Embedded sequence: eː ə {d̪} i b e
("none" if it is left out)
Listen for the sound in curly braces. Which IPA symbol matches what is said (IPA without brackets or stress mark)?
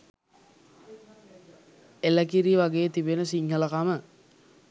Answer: t̪